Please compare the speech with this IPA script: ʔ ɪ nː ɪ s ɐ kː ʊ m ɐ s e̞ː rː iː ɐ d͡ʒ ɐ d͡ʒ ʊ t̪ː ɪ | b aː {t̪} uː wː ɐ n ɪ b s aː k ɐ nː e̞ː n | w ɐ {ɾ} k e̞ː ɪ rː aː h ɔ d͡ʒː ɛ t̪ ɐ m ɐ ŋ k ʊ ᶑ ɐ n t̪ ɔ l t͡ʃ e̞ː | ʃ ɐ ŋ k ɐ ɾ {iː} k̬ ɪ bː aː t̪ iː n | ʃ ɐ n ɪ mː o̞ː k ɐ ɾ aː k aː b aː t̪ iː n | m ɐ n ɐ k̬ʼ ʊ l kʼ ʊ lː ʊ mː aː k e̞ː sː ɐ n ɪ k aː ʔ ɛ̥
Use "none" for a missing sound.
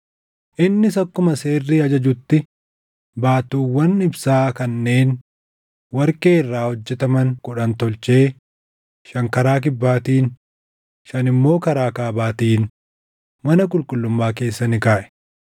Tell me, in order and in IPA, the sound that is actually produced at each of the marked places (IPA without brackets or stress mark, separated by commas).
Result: t̪, ɾ, aː